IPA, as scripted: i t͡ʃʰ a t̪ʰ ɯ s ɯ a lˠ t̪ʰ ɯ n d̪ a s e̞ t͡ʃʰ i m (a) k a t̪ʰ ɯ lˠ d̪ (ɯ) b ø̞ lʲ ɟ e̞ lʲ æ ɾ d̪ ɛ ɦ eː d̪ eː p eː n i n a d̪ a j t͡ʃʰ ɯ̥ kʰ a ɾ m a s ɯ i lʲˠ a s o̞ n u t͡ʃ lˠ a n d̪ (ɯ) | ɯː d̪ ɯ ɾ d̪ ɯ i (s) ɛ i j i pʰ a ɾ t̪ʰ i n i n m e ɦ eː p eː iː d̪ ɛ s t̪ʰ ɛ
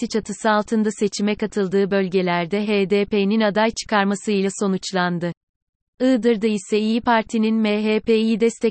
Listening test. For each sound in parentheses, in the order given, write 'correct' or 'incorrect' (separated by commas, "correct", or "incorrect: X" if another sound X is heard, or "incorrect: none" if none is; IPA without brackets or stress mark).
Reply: incorrect: ɛ, incorrect: ɯː, correct, correct